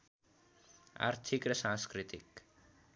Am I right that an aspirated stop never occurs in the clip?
no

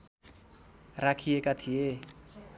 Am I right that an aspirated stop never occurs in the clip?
no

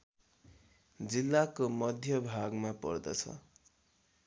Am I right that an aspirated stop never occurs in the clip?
no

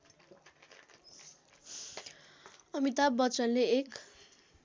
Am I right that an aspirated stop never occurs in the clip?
yes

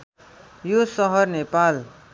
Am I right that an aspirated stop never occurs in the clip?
yes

